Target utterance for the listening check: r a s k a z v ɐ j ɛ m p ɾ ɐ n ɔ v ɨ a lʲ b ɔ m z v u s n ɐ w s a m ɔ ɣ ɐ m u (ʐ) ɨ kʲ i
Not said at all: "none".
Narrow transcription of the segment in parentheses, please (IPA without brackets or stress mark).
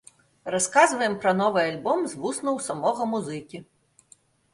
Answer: z